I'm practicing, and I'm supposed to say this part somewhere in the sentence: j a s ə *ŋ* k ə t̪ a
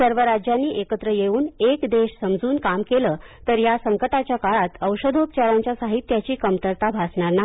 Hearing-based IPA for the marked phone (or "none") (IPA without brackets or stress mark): ŋ